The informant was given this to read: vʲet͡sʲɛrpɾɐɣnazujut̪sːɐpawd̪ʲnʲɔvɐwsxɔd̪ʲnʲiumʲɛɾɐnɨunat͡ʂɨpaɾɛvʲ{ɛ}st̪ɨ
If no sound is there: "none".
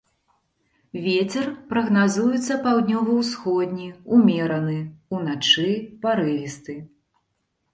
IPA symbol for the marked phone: i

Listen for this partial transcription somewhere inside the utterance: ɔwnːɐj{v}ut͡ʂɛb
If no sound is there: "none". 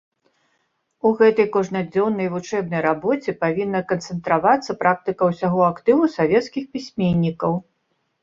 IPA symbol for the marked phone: v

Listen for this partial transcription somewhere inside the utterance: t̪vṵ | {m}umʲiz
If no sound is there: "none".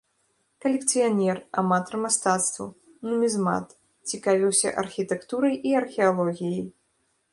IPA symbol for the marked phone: n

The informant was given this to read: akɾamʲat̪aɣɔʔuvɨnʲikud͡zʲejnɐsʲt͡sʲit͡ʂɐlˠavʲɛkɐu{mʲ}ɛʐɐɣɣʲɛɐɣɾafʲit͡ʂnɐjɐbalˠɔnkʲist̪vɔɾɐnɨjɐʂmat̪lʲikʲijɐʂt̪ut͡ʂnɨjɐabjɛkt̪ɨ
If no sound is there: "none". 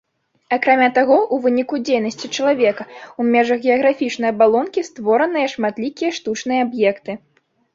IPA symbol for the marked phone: mʲ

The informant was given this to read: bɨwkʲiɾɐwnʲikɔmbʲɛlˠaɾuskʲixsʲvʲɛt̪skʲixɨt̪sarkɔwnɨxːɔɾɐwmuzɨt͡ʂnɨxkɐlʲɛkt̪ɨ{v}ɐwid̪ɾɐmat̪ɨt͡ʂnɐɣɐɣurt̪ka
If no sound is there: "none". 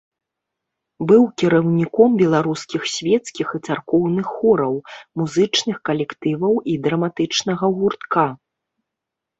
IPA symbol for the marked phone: v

